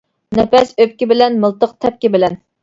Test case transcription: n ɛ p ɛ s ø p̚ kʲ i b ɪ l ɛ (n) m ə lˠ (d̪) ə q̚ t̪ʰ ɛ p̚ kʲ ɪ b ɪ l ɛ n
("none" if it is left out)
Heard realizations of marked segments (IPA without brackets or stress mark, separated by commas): n, t̪